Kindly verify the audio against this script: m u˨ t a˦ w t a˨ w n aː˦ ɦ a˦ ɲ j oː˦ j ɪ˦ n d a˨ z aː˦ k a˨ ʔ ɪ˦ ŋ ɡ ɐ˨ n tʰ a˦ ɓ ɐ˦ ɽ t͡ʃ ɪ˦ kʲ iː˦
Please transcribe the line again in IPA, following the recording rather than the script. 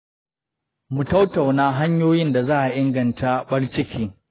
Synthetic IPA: m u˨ t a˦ w t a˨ w n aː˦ ɦ a˦ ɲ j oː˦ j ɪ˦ n d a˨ z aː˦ ʔ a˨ ʔ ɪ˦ ŋ ɡ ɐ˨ n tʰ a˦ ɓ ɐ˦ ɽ t͡ʃ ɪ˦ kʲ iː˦